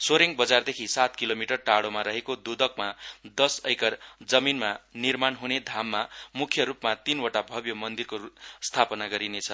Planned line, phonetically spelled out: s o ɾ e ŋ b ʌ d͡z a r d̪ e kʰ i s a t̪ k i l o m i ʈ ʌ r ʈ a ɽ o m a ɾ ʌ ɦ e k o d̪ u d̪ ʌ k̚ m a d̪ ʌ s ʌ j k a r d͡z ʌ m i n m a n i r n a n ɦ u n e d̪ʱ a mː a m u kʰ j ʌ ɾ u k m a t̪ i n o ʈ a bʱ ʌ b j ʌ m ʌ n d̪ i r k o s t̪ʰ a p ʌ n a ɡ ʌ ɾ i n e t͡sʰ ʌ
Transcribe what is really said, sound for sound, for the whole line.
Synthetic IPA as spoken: s o ɾ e ŋ b ʌ d͡z a r d̪ e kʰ i s a t̪ k i l o m i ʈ ʌ r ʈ a ɽ o m a ɾ ʌ ɦ e k o d̪ u d̪ ʌ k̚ m a d̪ ʌ s ʌ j k ʌ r d͡z ʌ m i n m a n i r m a n ɦ u n e d̪ʱ a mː a m u kʰ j ʌ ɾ u p m a t̪ i n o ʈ a bʱ ʌ b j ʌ m ʌ n d̪ i r k o s t̪ʰ a p ʌ n a ɡ ʌ ɾ i n e t͡sʰ ʌ

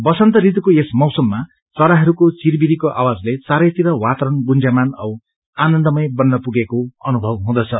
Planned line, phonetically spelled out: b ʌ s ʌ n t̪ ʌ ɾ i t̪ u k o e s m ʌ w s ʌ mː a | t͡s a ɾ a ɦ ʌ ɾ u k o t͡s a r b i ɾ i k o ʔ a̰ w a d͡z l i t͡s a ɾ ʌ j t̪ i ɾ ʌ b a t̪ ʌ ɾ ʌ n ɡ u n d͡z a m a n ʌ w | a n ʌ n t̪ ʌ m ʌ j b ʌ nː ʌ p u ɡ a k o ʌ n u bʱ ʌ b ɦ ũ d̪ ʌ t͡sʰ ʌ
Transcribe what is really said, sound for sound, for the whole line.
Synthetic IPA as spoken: b ʌ s ʌ n t̪ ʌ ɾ i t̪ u k o e s m ʌ w s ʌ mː a | t͡s ʌ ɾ a ɦ ʌ ɾ u k o t͡s i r b i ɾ i k o ʔ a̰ w a d͡z l e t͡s a ɾ ʌ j t̪ i ɾ ʌ w a t̪ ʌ ɾ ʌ n ɡ u n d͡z a m a n ʌ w | a n ʌ n d̪ ʌ m ʌ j b ʌ nː ʌ p u ɡ e k o ʌ n u bʱ ʌ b ɦ ũ d̪ ʌ t͡sʰ ʌ

